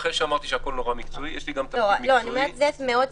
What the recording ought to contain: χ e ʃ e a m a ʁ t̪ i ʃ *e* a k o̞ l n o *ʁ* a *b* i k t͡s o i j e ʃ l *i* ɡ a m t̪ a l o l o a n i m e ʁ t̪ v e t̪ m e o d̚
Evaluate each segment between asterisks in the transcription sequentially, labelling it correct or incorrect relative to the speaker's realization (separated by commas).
correct, correct, incorrect, correct